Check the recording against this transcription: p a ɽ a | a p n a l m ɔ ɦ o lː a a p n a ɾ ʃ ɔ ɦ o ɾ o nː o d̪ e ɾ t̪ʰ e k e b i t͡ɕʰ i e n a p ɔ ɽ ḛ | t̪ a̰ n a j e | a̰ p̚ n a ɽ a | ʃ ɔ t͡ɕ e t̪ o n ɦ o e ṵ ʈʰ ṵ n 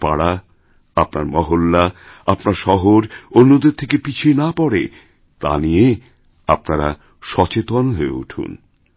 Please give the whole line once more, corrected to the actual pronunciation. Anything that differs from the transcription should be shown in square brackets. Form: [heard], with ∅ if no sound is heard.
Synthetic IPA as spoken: p a ɽ a | a p n a [ɾ] m ɔ ɦ o lː a a p n a ɾ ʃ ɔ ɦ o ɾ o nː o d̪ e ɾ t̪ʰ e k e [p] i t͡ɕʰ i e n a p ɔ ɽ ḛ | t̪ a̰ n [i] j e | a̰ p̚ n a [ɾ] a | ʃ ɔ t͡ɕ e t̪ o n ɦ o e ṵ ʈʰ ṵ n

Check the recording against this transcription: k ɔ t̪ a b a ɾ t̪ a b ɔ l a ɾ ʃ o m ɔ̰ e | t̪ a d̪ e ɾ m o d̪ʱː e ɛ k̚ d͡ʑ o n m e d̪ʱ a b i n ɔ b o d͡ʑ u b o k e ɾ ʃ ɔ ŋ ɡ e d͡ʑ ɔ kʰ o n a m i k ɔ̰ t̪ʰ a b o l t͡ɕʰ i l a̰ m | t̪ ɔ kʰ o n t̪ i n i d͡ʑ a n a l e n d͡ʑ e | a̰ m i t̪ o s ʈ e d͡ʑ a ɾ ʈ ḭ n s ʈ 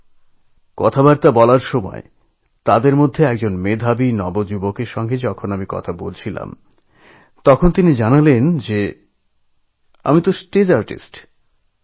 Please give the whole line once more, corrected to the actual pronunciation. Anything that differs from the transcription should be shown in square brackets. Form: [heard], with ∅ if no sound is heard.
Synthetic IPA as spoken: k ɔ [t̪ʰ] a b a ɾ t̪ a b ɔ l a ɾ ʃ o m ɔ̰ e | t̪ a d̪ e ɾ m o d̪ʱː e ɛ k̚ d͡ʑ o n m e d̪ʱ a b i n ɔ b o d͡ʑ u b o k e ɾ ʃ ɔ ŋ ɡ e d͡ʑ ɔ kʰ o n a m i k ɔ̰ t̪ʰ a b o l t͡ɕʰ i l a̰ m | t̪ ɔ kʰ o n t̪ i n i d͡ʑ a n a l e n d͡ʑ e | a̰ m i t̪ o s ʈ e d͡ʑ a ɾ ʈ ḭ [∅] s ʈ

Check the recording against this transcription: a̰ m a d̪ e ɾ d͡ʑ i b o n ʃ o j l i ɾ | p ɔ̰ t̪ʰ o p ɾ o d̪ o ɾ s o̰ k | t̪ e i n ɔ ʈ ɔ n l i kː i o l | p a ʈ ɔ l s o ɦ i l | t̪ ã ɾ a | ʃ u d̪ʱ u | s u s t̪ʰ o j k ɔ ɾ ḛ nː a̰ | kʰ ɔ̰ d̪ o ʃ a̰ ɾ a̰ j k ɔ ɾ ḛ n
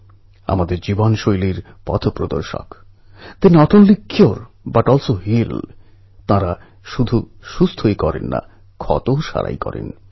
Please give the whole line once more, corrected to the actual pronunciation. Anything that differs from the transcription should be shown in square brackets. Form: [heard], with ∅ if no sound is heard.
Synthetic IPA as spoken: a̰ m a d̪ e ɾ d͡ʑ i b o n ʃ o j l i ɾ | p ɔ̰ t̪ʰ o p ɾ o d̪ o ɾ [ʃ] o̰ k | t̪ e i n ɔ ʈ [o] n l i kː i o [ɾ] | [b] a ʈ ɔ l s o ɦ i l | t̪ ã ɾ a | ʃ u d̪ʱ u | [ʃ] u s t̪ʰ o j k ɔ ɾ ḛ nː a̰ | kʰ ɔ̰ [t̪] o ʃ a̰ ɾ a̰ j k ɔ ɾ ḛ n

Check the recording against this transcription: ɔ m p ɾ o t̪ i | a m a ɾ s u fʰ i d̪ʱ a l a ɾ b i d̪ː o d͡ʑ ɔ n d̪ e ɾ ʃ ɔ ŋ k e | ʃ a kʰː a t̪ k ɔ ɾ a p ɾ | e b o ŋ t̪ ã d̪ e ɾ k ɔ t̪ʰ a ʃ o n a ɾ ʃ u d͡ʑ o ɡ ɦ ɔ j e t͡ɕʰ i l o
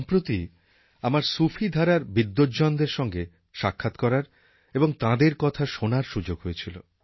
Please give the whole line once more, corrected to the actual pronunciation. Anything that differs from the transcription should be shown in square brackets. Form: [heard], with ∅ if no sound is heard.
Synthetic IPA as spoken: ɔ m p ɾ o t̪ i | a m a ɾ s u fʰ i d̪ʱ a [ɾ] a ɾ b i d̪ː o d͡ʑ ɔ n d̪ e ɾ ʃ ɔ ŋ [ɡ] e | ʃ a kʰː a t̪ k ɔ ɾ a [∅] ɾ | e b o ŋ t̪ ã d̪ e ɾ k ɔ t̪ʰ a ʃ o n a ɾ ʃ u d͡ʑ o ɡ ɦ [o] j e t͡ɕʰ i l o

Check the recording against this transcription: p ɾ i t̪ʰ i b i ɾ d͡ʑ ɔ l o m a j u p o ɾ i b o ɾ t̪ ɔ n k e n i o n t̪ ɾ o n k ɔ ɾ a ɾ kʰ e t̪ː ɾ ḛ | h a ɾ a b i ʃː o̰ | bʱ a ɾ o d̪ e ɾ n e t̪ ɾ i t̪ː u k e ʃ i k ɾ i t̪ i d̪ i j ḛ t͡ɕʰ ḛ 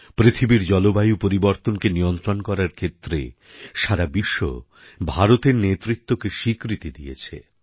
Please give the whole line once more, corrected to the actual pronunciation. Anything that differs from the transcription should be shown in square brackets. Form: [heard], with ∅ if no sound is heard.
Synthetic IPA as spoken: p ɾ i t̪ʰ i b i ɾ d͡ʑ ɔ l o [b] a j u p o ɾ i b o ɾ t̪ [o] n k e n i o n t̪ ɾ o n k ɔ ɾ a ɾ kʰ e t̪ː ɾ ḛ | [ʃ] a ɾ a b i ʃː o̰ | bʱ a ɾ o [t̪] e ɾ n e t̪ ɾ i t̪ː [o] k e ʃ i k ɾ i t̪ i d̪ i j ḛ t͡ɕʰ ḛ

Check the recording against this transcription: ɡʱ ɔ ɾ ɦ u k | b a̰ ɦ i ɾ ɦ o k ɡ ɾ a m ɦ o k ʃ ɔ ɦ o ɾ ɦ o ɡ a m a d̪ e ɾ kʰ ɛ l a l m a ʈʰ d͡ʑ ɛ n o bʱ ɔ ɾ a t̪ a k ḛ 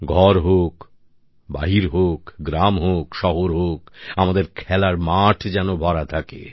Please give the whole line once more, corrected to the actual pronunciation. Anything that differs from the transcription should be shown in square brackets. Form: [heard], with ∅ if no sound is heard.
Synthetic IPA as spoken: ɡʱ ɔ ɾ ɦ [o] k | b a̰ ɦ i ɾ ɦ o k ɡ ɾ a m ɦ o k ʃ ɔ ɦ o ɾ ɦ o [k] a m a d̪ e ɾ kʰ ɛ l a [ɾ] m a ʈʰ d͡ʑ ɛ n o bʱ ɔ ɾ a [t̪ʰ] a k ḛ

